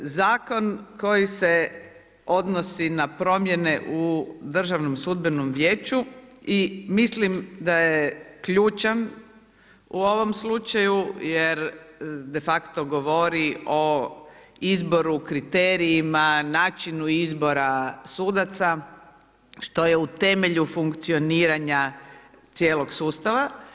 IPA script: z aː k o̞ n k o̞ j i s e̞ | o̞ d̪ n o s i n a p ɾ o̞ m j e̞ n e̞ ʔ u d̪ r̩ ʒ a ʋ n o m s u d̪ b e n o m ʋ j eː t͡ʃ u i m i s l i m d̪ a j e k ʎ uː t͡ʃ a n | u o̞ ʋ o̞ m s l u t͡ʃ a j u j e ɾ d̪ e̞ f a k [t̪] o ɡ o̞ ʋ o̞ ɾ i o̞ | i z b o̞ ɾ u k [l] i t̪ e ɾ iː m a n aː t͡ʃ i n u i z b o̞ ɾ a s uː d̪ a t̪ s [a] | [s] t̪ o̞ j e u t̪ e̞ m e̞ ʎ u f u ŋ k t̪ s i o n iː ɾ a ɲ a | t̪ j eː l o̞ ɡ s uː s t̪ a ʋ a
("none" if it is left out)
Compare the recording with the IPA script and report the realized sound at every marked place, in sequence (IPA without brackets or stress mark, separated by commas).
t̪, ɾ, a, ʃ